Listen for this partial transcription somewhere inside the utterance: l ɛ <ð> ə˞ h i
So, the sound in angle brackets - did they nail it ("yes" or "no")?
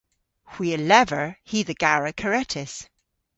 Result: no